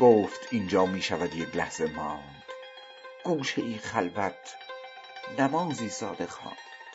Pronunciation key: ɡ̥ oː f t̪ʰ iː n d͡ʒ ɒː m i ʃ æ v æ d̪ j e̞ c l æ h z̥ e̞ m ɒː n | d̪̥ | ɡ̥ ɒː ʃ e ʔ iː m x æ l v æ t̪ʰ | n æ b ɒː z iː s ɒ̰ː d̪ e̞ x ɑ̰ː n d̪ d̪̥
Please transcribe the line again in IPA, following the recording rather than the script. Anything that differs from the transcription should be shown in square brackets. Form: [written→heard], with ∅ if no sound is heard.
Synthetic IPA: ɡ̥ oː f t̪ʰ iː n d͡ʒ ɒː m [i→iː] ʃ æ v æ d̪ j e̞ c l æ h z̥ e̞ m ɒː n | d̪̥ | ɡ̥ [ɒː→uː] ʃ e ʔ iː [m→n] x æ l v æ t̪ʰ | n æ [b→m] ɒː z iː s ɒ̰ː d̪ e̞ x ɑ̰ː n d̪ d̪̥